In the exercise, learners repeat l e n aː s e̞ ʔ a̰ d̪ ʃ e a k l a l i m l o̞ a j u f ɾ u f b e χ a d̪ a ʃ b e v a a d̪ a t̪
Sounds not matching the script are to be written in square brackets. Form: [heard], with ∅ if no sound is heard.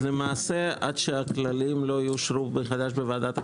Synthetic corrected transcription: l e [m] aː s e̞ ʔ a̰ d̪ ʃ e a k l a l i m l o̞ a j u [ʃ] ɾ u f b e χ a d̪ a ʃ b e v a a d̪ a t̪